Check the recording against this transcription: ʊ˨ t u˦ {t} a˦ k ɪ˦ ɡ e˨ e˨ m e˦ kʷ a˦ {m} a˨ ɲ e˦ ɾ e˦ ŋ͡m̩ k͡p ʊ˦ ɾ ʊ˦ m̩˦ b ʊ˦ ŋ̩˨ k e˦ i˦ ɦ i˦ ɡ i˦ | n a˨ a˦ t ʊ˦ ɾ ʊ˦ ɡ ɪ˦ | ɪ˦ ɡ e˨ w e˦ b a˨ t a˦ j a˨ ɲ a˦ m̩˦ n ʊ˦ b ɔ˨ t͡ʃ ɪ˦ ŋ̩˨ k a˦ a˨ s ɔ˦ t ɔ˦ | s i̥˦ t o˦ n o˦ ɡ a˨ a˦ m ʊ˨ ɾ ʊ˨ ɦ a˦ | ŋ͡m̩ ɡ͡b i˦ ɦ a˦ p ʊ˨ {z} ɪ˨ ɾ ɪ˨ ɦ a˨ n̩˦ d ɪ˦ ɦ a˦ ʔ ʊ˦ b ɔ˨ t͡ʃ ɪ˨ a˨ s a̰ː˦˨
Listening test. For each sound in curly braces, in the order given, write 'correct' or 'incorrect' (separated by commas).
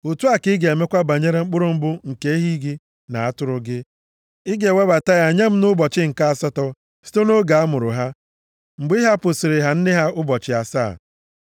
incorrect, incorrect, incorrect